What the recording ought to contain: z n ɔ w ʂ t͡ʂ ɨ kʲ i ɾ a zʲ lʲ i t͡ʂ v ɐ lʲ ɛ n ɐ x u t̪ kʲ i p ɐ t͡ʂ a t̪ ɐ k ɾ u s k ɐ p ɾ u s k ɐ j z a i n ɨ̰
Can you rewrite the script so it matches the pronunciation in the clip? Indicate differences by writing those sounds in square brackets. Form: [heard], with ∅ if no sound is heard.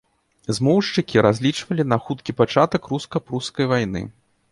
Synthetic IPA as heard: z [m] ɔ w ʂ t͡ʂ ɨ kʲ i ɾ a zʲ lʲ i t͡ʂ v ɐ lʲ [i] n ɐ x u t̪ kʲ i p [a] t͡ʂ a t̪ ɐ k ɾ u s k ɐ p ɾ u s k ɐ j [v] a [j] n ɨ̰